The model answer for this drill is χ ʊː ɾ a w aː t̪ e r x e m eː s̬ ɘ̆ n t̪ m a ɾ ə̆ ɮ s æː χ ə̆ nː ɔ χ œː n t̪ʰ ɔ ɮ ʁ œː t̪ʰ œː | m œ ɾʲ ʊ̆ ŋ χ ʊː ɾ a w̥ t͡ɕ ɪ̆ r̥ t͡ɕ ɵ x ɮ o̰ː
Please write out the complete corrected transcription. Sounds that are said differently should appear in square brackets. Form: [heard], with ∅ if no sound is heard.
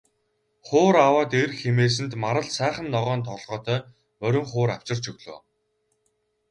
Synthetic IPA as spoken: χ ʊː ɾ a w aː t̪ e r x e m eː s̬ ɘ̆ n t̪ m a ɾ ə̆ ɮ s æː χ ə̆ nː ɔ [ʁ] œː n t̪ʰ ɔ ɮ ʁ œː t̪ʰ œː | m œ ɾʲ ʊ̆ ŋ χ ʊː ɾ a w̥ t͡ɕ ɪ̆ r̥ t͡ɕ ɵ [ɣ] ɮ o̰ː